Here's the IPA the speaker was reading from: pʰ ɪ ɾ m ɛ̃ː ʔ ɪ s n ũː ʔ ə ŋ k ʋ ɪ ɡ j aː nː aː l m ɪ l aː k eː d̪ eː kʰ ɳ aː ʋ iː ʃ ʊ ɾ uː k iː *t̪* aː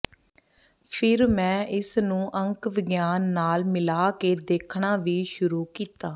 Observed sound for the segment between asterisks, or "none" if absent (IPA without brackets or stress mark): t̪